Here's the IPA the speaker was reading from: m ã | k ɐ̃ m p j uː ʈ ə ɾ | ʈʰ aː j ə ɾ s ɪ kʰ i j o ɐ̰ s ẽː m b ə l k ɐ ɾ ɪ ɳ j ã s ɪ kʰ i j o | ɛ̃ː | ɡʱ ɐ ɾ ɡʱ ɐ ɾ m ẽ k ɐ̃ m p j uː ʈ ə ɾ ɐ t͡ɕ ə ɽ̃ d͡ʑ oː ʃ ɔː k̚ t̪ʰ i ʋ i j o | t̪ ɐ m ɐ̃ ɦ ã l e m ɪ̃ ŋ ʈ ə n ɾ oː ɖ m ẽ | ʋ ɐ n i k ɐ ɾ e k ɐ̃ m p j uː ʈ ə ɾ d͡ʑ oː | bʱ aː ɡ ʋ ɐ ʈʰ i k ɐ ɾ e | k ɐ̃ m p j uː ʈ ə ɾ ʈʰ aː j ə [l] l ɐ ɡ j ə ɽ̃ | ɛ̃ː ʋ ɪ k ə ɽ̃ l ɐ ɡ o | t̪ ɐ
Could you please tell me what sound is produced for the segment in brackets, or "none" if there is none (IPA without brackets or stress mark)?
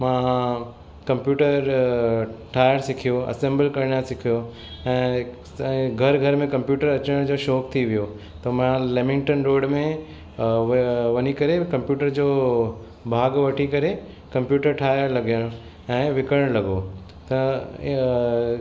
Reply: ɾ